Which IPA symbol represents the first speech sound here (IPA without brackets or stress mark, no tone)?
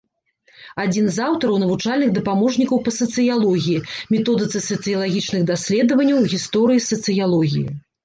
a